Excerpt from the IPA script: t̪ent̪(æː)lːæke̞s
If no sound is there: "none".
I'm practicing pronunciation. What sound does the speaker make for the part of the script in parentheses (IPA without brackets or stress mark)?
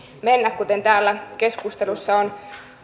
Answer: æː